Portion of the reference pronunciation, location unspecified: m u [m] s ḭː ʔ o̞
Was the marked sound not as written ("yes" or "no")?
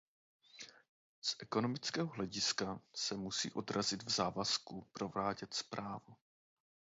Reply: yes